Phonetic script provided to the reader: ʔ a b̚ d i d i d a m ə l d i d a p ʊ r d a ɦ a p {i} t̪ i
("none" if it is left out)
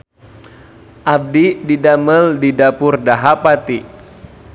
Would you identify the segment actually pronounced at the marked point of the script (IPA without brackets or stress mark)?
a